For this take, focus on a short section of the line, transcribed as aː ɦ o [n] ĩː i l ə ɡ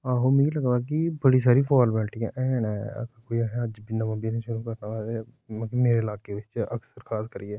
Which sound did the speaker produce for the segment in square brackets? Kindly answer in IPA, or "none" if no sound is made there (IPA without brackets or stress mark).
m